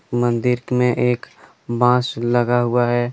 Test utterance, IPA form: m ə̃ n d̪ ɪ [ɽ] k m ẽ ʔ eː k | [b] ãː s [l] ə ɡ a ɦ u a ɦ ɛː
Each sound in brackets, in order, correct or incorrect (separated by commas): incorrect, correct, correct